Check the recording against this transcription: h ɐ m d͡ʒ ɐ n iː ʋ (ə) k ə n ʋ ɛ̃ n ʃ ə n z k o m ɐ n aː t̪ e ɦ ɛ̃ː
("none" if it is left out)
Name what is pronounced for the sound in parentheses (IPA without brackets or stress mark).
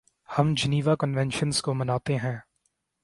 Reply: a